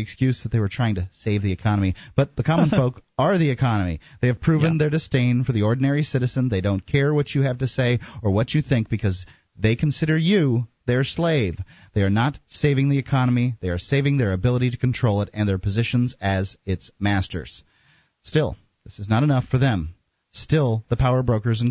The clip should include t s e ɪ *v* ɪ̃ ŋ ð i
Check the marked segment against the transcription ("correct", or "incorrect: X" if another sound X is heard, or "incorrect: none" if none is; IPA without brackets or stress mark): correct